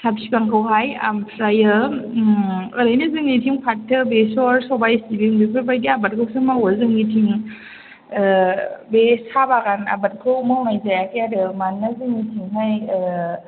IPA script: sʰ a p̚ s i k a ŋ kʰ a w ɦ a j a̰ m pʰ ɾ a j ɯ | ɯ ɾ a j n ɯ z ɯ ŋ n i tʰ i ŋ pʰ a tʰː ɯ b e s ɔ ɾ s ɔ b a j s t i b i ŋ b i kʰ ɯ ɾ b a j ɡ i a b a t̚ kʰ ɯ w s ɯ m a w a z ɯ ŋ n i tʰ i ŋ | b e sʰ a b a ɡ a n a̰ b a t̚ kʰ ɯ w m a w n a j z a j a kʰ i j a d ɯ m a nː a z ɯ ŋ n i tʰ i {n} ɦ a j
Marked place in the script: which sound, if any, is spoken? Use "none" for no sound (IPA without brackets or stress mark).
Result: ŋ